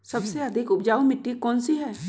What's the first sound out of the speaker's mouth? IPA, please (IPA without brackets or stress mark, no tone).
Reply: s